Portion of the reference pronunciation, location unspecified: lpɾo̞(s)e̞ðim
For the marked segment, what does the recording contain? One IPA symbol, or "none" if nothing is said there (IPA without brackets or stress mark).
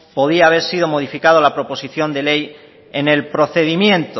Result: θ